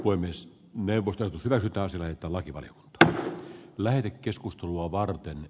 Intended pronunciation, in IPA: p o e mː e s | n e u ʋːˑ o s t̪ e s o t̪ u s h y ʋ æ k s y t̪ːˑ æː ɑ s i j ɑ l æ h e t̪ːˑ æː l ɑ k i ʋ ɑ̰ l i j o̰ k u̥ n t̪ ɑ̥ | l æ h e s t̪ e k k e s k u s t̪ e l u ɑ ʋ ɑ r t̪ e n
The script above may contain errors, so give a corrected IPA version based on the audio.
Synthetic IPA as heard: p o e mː e s | n e u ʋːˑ o s t̪ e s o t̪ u s h y ʋ æ k s y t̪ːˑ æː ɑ s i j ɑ l æ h e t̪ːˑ æː l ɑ k i ʋ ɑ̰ l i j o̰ k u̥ n t̪ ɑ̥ | l æ h e t̪ e k k e s k u s t̪ e l u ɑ ʋ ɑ r t̪ e n